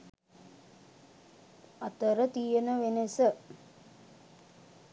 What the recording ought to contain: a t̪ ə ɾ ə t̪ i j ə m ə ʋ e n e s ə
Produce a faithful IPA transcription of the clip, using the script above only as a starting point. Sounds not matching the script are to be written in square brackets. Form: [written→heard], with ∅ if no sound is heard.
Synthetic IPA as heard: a t̪ ə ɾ ə t̪ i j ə [m→n] ə ʋ e n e s ə